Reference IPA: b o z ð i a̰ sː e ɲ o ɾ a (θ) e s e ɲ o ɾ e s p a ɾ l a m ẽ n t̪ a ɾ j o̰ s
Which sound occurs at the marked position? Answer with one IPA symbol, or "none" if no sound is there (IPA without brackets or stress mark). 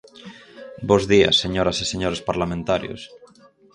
s